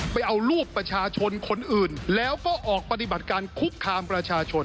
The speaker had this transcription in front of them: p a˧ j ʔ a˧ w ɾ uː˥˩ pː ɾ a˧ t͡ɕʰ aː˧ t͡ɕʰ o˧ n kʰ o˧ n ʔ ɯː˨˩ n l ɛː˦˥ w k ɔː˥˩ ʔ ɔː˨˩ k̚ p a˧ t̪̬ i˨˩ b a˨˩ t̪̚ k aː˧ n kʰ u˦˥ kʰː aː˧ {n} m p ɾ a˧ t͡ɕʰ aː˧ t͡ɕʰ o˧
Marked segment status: incorrect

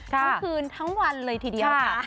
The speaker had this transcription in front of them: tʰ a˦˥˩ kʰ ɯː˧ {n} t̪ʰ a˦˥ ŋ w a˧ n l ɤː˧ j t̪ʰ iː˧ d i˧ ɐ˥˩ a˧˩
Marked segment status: correct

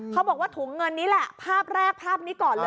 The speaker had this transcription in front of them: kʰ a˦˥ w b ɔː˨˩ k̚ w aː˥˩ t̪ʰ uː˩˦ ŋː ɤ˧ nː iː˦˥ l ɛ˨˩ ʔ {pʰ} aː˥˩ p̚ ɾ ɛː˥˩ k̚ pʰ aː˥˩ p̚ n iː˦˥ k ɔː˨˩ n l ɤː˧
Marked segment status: correct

